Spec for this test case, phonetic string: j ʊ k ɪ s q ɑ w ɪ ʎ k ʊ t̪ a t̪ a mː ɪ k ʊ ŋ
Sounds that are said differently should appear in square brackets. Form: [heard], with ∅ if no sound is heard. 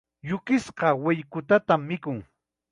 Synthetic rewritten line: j ʊ k ɪ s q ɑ w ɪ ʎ k ʊ t̪ a t̪ a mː ɪ k ʊ ŋ